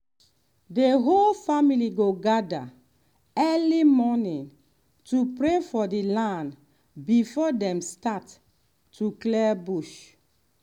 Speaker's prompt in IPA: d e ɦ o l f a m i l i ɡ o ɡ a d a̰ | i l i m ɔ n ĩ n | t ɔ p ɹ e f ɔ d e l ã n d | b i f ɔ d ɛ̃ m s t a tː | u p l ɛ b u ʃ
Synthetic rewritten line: d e ɦ o l f a m i l i ɡ o ɡ a d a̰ | ɛ l i m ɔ n ĩ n | t u p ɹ e f ɔ d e l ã n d | b i f ɔ d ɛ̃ m s t a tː | u k l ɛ b u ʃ